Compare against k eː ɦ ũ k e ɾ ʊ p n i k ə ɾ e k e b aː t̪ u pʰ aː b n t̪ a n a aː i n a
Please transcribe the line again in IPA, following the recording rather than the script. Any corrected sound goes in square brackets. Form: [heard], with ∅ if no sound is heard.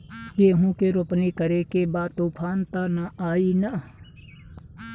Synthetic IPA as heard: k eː ɦ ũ k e ɾ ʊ p n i k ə ɾ e k e b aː t̪ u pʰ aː [∅] n t̪ a n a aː i n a